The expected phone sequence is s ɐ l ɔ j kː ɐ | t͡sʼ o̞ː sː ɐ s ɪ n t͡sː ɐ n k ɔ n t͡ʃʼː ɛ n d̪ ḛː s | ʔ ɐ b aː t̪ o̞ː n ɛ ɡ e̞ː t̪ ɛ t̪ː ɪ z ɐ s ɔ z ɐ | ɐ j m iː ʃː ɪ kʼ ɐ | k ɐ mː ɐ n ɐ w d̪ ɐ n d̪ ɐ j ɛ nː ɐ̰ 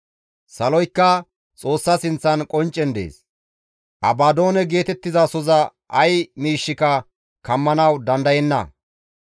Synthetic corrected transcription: s ɐ l ɔ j kː ɐ | t͡sʼ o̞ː sː ɐ s ɪ n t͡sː ɐ n kʼ ɔ n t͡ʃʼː ɛ n d̪ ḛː s | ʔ ɐ b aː d̪ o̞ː n ɛ ɡ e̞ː t̪ ɛ t̪ː ɪ z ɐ s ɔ z ɐ | ɐ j m iː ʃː ɪ k ɐ | k ɐ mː ɐ n ɐ w d̪ ɐ n d̪ ɐ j ɛ nː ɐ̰